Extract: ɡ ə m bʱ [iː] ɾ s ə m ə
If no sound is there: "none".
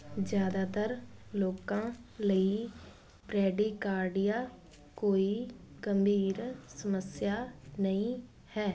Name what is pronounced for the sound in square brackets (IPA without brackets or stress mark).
iː